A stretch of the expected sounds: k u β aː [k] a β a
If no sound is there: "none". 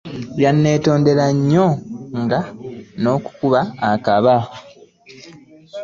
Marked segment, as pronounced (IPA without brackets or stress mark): k